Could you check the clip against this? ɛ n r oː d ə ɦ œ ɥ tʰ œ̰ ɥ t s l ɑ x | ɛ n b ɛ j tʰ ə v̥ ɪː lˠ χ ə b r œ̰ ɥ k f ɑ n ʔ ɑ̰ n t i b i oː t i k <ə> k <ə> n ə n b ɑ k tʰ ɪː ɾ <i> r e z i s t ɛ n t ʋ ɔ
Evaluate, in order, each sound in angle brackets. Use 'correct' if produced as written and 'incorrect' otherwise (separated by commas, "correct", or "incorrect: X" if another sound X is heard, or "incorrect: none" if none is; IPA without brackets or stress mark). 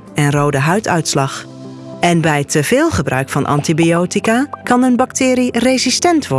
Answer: incorrect: a, incorrect: ɑ, correct